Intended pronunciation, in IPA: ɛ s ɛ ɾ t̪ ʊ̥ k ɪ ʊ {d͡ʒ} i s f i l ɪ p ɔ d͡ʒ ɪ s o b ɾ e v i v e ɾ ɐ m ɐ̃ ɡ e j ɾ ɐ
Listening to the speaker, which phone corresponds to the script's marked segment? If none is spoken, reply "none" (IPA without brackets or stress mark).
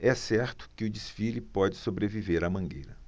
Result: d͡ʒ